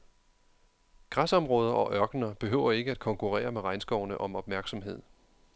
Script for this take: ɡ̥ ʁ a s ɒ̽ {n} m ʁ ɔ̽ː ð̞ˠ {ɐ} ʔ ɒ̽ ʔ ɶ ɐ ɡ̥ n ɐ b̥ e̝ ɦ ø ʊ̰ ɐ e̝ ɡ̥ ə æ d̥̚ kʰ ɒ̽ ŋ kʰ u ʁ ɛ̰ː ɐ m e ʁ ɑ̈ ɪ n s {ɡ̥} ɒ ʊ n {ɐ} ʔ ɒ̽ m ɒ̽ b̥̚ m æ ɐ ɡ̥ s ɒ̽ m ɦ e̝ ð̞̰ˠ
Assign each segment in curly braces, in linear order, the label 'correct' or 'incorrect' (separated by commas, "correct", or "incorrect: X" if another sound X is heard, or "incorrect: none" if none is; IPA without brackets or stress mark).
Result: incorrect: none, correct, correct, incorrect: ə